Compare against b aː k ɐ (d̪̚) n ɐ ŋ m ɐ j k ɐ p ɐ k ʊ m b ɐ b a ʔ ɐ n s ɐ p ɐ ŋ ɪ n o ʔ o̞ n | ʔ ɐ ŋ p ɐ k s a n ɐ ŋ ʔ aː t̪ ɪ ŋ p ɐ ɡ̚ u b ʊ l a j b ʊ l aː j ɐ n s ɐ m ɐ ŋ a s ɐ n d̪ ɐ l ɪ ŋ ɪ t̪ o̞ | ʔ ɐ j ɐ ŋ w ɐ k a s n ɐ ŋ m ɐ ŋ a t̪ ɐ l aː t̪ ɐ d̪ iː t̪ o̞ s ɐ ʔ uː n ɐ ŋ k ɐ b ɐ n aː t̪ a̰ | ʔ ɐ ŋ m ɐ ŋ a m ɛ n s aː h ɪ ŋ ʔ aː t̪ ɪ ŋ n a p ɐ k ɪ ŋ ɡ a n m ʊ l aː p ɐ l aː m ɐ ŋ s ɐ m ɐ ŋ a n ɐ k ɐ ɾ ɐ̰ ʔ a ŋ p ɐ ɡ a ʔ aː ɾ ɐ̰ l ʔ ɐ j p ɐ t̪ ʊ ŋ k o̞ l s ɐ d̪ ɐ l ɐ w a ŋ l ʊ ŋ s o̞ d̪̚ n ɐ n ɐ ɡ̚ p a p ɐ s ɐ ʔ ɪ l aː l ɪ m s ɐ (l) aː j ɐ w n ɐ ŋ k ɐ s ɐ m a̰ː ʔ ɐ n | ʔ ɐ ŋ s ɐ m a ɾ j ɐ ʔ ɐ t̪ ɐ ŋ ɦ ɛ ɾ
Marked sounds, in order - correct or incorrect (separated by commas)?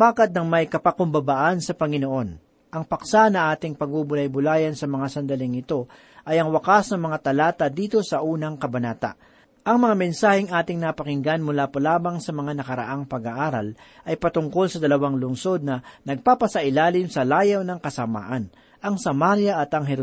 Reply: incorrect, correct